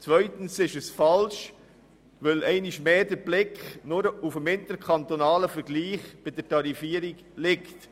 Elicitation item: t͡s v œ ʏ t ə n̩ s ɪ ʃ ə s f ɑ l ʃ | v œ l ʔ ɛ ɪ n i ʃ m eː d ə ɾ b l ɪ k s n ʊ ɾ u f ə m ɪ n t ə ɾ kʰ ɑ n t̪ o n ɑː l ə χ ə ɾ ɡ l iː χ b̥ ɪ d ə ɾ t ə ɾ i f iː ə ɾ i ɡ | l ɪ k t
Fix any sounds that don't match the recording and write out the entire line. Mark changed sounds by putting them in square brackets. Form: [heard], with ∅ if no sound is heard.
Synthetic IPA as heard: t͡s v œ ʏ t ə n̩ s ɪ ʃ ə s f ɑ l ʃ | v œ l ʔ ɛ ɪ n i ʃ m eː d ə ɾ b l ɪ k [χ] n ʊ ɾ u f ə m ɪ n t ə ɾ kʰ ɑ n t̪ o n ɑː l ə [f] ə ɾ ɡ l iː χ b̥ ɪ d ə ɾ t [ɑ] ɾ i f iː ə ɾ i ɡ | l ɪ k t